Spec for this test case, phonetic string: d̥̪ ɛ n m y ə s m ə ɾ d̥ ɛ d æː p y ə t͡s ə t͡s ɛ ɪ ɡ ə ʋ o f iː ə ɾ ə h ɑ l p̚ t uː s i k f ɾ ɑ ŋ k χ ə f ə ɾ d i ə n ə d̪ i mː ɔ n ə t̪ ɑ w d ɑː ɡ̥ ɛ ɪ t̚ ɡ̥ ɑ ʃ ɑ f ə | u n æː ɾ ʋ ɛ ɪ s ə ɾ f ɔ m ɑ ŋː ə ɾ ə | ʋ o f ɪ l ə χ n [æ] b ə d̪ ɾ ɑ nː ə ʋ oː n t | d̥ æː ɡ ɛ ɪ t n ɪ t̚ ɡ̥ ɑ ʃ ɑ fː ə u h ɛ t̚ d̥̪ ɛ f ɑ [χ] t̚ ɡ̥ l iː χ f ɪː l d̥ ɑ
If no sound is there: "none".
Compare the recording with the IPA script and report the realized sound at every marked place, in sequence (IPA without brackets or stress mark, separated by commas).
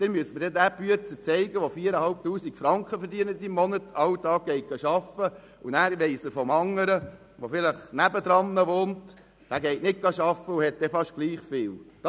æ, ʃ